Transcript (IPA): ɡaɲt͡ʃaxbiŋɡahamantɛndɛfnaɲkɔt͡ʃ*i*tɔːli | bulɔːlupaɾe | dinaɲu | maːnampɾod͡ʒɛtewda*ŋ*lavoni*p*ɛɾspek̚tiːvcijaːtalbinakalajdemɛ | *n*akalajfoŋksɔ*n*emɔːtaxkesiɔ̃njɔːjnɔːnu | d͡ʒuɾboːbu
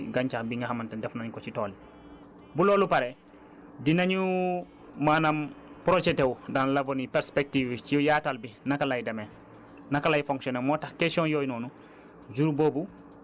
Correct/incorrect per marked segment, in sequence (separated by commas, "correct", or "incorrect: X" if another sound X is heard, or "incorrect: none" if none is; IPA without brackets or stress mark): correct, incorrect: n, correct, correct, correct